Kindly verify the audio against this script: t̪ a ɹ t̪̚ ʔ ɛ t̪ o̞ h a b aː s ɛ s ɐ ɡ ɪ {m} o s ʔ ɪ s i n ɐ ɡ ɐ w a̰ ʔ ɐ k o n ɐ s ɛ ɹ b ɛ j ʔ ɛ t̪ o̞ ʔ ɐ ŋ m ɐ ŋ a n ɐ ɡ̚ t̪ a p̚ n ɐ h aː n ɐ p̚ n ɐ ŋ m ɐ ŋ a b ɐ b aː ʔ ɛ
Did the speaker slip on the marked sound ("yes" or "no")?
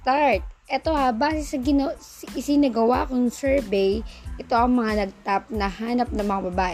yes